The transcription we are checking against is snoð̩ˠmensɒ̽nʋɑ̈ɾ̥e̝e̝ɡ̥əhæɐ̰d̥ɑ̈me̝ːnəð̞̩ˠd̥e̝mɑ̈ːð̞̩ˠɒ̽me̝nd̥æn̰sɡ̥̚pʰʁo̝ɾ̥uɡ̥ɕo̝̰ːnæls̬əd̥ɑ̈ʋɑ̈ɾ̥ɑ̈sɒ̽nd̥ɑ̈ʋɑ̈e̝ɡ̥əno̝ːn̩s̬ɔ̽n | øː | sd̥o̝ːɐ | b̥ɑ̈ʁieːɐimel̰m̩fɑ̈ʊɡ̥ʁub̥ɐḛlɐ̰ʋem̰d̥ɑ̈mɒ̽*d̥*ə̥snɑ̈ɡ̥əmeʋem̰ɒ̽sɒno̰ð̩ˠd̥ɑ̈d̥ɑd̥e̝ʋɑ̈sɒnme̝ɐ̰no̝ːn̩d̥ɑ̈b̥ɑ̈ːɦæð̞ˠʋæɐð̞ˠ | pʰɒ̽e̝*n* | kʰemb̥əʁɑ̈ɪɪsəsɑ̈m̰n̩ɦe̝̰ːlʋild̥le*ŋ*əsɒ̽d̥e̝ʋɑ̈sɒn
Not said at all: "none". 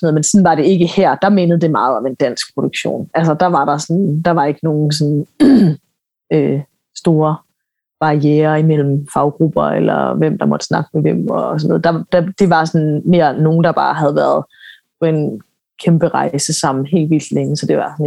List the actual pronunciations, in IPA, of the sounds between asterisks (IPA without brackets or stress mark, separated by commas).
d̥, n, ŋ